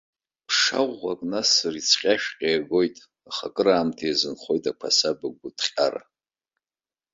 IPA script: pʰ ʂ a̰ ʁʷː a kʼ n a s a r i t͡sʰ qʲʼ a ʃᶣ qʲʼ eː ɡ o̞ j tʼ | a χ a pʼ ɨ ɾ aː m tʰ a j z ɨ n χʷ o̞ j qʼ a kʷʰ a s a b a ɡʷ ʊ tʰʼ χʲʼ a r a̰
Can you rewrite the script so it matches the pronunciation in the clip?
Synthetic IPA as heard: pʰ ʂ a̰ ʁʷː a kʼ n a s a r i t͡sʰ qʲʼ a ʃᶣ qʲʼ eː ɡ o̞ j tʼ | a χ a kʼ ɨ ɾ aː m tʰ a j z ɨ n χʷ o̞ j tʼ a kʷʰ a s a b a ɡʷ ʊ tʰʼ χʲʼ a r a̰